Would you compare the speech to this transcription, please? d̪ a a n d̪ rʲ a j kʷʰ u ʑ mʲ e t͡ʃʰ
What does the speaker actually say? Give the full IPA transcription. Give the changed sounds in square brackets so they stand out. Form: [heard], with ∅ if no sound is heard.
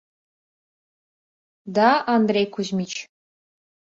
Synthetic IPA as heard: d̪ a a n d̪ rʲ [e] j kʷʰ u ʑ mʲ [i] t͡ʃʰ